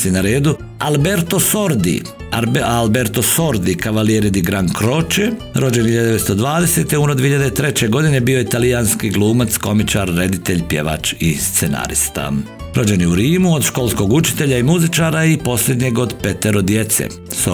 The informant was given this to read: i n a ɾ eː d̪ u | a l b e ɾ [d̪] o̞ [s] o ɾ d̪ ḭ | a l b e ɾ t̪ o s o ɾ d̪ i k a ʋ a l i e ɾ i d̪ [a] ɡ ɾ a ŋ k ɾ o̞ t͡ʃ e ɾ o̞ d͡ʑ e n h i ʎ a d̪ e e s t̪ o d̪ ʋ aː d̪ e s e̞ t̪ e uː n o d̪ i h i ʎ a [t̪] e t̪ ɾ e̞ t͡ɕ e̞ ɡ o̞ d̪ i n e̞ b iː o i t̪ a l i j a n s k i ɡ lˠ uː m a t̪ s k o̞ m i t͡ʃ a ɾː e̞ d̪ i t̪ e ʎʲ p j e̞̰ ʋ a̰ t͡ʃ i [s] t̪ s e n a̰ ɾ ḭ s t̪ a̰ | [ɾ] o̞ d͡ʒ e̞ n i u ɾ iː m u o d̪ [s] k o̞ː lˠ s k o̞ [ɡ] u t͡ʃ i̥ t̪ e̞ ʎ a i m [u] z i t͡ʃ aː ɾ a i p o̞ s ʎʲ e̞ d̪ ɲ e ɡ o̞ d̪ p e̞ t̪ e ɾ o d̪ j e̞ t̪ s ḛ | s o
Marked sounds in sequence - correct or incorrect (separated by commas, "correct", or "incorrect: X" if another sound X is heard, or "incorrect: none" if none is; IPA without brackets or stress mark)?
incorrect: t̪, correct, incorrect: i, incorrect: d̪, correct, correct, incorrect: ʃ, correct, correct